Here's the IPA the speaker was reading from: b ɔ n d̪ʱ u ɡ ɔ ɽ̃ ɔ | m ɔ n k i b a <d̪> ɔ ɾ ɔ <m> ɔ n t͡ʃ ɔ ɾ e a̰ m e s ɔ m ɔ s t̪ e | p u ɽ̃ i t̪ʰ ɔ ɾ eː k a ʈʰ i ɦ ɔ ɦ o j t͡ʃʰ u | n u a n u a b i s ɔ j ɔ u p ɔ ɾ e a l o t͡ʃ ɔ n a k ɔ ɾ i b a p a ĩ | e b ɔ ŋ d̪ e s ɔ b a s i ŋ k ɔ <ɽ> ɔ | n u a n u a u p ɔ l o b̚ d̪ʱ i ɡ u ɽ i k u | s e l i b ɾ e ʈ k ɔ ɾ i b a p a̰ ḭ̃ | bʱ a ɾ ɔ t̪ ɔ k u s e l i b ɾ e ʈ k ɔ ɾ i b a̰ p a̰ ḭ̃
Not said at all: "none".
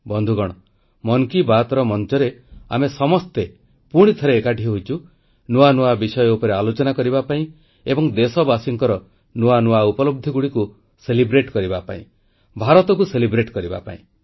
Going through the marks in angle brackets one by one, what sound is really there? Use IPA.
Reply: t̪, m, ɾ

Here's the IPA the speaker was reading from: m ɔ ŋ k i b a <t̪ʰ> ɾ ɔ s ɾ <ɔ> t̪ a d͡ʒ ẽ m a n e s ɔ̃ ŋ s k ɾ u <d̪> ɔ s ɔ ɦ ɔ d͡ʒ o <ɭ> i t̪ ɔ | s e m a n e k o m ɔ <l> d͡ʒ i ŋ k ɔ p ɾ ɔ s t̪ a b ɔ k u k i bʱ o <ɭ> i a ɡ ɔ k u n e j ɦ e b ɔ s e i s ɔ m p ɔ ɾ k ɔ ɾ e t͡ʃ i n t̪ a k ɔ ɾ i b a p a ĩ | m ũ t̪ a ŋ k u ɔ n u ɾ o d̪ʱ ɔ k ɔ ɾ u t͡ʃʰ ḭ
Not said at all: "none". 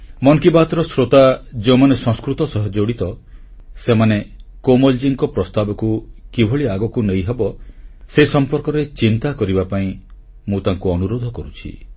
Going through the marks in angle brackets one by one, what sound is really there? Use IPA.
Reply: t̪, o, t̪, ɽ, l, ɭ

